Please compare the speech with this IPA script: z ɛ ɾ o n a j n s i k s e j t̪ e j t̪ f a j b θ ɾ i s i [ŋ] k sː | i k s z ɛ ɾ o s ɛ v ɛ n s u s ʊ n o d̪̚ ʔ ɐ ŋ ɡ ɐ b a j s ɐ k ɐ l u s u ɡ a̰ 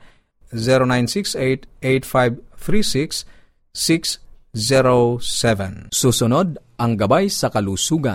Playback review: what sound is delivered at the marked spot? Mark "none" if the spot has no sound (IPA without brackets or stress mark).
none